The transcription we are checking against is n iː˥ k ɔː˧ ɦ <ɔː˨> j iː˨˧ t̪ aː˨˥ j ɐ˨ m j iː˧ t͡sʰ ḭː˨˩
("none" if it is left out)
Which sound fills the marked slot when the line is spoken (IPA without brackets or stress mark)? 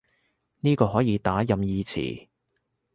ɔː˨˥